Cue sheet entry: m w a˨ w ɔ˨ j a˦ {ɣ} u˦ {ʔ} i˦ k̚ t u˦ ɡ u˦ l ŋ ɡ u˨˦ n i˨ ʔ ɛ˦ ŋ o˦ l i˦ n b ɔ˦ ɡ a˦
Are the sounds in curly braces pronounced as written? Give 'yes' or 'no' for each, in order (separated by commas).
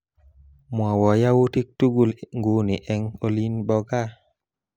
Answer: no, no